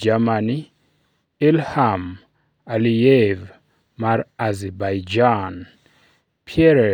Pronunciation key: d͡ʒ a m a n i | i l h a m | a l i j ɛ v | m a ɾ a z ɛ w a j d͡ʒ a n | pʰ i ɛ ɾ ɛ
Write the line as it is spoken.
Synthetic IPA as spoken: d͡ʒ a m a n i | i l h a m | a l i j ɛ v | m a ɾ a z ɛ b a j d͡ʒ a n | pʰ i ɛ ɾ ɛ